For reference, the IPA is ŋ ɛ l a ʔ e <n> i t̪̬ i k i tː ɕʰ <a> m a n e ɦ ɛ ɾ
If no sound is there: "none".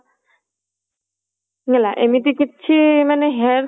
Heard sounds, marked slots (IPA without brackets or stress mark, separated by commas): m, i